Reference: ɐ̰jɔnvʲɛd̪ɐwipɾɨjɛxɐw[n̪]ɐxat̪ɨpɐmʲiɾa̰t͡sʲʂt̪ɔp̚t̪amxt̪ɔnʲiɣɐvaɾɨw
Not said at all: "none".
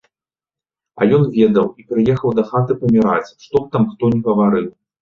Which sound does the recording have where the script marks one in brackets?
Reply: d̪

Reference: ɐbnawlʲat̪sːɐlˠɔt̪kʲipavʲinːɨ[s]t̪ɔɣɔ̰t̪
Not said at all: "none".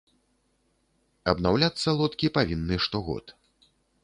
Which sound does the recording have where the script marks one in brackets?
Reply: ʂ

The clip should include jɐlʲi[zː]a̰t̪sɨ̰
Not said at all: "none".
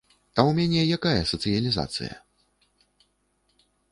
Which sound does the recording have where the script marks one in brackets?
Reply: z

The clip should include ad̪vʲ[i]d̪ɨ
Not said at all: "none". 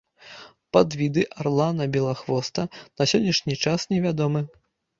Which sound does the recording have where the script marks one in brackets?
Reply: i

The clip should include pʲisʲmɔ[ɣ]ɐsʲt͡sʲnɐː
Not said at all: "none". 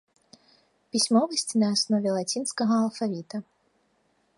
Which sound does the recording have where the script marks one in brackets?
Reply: v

